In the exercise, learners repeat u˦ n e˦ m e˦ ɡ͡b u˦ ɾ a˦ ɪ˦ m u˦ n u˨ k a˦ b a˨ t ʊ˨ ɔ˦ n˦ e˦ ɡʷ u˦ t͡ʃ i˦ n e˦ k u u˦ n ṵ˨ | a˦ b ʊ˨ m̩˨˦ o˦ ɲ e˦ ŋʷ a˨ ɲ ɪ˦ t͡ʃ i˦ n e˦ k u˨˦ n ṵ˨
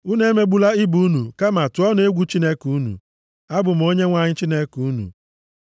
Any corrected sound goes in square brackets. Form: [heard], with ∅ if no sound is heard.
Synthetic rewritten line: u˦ n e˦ m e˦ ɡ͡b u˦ [l] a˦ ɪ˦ [b] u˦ n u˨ k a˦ [m] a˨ t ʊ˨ ɔ˦ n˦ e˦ ɡʷ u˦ t͡ʃ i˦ n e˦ k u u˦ n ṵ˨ | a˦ b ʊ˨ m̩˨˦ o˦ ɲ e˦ ŋʷ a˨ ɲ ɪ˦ t͡ʃ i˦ n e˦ k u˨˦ n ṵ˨

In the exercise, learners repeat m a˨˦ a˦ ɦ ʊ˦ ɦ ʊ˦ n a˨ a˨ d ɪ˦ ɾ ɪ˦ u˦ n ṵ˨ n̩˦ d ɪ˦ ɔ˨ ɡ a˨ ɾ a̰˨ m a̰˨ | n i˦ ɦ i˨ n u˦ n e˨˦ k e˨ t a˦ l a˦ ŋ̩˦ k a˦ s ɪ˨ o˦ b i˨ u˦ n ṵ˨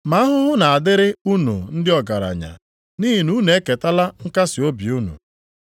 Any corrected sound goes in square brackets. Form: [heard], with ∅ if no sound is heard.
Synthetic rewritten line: m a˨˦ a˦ ɦ ʊ˦ ɦ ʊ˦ n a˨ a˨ d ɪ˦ ɾ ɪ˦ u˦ n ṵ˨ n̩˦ d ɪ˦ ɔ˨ ɡ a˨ ɾ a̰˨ [ɲ] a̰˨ | n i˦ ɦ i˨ n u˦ n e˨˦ k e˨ t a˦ l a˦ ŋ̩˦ k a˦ s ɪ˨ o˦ b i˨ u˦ n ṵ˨

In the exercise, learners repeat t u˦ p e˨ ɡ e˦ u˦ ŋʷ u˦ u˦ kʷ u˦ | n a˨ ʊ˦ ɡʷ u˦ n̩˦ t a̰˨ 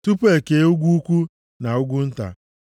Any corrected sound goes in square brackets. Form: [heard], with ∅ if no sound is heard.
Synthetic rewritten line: t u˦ p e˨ [k] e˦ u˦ [ɡʷ] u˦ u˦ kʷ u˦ | n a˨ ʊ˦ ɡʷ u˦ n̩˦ t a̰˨

